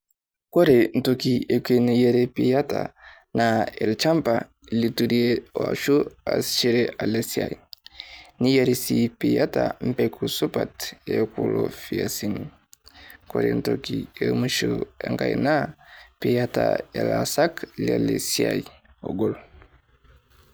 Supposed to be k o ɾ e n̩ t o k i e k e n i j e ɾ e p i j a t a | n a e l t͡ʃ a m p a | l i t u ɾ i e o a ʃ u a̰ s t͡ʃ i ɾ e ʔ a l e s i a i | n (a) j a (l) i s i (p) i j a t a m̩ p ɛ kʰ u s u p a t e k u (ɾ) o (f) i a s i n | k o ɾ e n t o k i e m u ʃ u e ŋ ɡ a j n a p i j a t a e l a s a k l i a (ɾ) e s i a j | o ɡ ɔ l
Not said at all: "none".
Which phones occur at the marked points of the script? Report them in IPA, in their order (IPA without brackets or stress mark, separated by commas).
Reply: i, ɾ, p, l, f, l